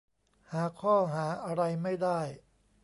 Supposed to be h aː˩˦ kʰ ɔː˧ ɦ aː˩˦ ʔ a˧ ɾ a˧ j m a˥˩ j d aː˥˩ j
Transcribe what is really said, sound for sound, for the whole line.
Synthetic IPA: h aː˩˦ kʰ ɔː˥˩ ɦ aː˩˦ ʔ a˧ ɾ a˧ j m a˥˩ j d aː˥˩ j

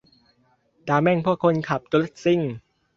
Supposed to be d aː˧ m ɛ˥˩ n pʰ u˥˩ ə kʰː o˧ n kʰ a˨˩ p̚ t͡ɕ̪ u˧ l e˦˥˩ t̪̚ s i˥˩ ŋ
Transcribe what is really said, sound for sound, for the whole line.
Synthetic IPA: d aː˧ m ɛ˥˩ ŋ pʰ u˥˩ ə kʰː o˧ n kʰ a˨˩ p̚ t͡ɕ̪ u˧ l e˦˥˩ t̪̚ s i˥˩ ŋ

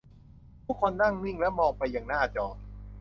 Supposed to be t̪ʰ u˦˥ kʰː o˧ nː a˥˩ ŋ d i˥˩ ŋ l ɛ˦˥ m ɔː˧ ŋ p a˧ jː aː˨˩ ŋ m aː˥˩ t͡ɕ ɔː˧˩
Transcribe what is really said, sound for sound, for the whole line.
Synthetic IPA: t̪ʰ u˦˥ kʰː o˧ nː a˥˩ ŋ n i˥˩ ŋ l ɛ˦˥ m ɔː˧ ŋ p a˧ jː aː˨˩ ŋ n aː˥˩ t͡ɕ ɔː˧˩

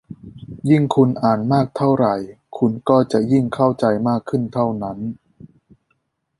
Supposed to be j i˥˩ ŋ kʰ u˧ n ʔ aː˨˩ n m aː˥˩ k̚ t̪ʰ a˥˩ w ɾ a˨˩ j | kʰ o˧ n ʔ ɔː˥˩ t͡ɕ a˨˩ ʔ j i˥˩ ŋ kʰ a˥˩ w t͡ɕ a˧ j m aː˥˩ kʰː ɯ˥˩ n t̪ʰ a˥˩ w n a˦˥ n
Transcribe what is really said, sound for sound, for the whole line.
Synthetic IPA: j i˥˩ ŋ kʰ u˧ n ʔ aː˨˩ n m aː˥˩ k̚ t̪ʰ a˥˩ w ɾ a˨˩ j | kʰ u˧ n k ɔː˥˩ t͡ɕ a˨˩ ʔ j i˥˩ ŋ kʰ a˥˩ w t͡ɕ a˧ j m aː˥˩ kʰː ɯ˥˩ n t̪ʰ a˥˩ w n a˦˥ n

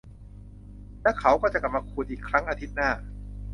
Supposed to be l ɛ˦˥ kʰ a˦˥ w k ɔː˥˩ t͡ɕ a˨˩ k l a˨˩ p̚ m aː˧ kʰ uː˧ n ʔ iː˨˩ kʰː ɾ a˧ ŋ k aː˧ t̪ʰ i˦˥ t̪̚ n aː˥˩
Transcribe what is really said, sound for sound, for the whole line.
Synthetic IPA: l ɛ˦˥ kʰ a˦˥ w k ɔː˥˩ t͡ɕ a˨˩ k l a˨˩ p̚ m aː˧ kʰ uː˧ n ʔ iː˨˩ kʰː ɾ a˦˥ ŋ ʔ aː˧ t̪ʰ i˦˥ t̪̚ n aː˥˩

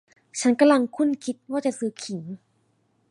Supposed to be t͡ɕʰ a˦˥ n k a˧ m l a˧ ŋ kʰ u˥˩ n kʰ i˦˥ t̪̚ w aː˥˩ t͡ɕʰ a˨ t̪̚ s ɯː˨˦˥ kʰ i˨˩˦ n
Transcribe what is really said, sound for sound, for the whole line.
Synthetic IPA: t͡ɕʰ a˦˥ n k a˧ m l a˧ ŋ kʰ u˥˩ n kʰ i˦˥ t̪̚ w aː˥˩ t͡ɕ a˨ s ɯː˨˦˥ kʰ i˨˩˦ ŋ

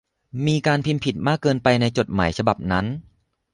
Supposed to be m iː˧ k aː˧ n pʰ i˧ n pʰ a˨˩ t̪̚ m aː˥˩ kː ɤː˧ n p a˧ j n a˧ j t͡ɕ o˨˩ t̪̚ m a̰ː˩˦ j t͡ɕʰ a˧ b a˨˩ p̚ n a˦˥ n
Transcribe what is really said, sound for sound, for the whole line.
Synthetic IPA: m iː˧ k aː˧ n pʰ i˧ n pʰ i˨˩ t̪̚ m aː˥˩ kː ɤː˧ n p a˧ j n a˧ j t͡ɕ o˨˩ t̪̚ m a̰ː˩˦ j t͡ɕʰ a˧ b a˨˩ p̚ n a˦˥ n

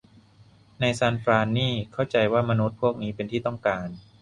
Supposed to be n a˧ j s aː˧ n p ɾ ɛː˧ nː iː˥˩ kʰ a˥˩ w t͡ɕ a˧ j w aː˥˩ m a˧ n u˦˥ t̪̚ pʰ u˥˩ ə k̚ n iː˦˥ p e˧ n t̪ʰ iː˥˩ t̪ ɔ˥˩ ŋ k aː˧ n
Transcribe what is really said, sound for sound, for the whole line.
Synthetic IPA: n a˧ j s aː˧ n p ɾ aː˧ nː iː˥˩ kʰ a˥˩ w t͡ɕ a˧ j w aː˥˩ m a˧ n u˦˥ t̪̚ pʰ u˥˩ ə k̚ n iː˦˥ p e˧ n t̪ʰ iː˥˩ t̪ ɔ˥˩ ŋ k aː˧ n

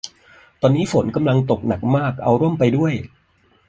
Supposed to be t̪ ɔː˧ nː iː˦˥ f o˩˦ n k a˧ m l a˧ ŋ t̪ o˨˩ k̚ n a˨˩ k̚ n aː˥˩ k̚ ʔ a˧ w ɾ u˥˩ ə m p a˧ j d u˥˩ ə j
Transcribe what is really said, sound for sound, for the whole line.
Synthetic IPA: t̪ ɔː˧ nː iː˦˥ f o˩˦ n k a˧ m l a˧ ŋ t̪ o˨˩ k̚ n a˨˩ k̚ m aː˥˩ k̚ ʔ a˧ w ɾ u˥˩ ə m p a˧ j d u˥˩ ə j

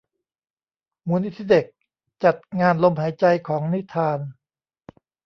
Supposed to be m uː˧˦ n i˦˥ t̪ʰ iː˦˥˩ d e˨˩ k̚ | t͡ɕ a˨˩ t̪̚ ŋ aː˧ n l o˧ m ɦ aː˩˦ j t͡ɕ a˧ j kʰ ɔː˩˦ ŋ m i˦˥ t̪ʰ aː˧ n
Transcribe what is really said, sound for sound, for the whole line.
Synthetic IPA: m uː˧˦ n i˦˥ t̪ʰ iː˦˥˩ d e˨˩ k̚ | t͡ɕ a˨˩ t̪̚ ŋ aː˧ n l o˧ m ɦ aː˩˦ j t͡ɕ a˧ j kʰ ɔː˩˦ ŋ n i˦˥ t̪ʰ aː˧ n

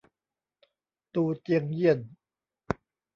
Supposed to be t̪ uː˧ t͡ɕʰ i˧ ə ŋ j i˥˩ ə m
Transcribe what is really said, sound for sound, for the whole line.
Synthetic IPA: t̪ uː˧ t͡ɕ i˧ ə ŋ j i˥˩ ə n

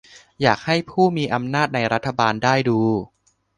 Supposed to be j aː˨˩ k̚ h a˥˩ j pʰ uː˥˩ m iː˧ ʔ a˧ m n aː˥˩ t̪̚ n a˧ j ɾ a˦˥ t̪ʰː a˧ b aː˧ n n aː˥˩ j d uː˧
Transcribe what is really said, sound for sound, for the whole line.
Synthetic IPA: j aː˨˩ k̚ h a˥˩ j pʰ uː˥˩ m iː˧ ʔ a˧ m n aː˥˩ t̪̚ n a˧ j ɾ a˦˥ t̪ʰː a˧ b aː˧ n d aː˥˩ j d uː˧

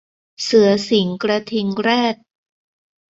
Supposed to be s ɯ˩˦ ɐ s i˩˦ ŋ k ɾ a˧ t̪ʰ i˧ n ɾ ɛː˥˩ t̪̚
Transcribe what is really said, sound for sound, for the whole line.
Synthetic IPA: s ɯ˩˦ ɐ s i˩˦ ŋ k ɾ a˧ t̪ʰ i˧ ŋ ɾ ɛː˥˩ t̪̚

